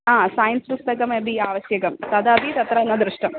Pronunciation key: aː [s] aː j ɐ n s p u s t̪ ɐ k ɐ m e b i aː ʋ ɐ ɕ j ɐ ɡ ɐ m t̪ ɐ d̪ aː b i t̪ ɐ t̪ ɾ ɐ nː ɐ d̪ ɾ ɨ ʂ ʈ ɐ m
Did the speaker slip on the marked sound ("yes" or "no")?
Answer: no